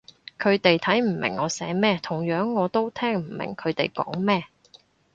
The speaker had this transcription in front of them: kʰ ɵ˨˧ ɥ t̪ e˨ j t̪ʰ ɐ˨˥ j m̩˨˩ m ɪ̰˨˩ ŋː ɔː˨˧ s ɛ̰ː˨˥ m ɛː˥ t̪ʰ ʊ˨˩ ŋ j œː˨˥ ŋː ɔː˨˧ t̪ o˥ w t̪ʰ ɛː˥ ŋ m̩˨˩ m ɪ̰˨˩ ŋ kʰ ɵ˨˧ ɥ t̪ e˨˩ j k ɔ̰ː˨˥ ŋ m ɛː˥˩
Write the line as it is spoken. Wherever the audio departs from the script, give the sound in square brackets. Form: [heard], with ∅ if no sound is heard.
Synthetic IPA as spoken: kʰ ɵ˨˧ ɥ t̪ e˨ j t̪ʰ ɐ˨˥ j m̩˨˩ m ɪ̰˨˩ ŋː ɔː˨˧ s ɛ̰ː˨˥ m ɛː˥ t̪ʰ ʊ˨˩ ŋ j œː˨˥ ŋː ɔː˨˧ t̪ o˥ w t̪ʰ ɛː˥ ŋ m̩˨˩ m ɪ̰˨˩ ŋ kʰ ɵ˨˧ ɥ t̪ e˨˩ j k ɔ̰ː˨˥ ŋ m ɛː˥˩